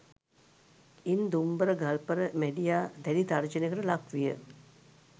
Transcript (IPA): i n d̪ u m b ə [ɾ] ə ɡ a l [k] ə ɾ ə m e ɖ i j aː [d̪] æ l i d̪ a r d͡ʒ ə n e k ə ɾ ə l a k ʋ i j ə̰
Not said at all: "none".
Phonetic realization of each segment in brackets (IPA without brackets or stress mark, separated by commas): ɾ, p, d̪